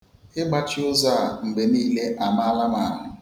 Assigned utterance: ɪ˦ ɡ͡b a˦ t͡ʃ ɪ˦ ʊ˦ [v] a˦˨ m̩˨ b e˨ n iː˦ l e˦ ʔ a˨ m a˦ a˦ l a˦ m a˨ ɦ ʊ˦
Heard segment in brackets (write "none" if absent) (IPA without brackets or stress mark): z